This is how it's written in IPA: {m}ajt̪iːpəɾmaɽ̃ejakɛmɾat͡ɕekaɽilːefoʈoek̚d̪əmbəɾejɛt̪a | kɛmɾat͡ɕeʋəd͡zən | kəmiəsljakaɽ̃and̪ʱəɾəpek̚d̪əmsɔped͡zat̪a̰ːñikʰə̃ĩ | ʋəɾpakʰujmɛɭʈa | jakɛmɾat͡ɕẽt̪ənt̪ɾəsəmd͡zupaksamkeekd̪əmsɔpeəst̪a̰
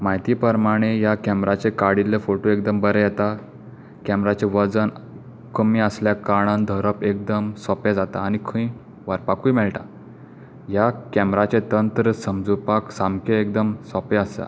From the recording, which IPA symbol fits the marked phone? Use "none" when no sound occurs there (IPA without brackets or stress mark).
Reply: m